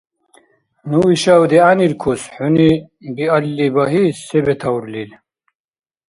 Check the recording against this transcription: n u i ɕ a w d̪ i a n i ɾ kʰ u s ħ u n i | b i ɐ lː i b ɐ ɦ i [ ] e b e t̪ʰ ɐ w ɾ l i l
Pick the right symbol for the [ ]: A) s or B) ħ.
A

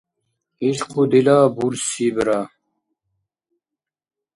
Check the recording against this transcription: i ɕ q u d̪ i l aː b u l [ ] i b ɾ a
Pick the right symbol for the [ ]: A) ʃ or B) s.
B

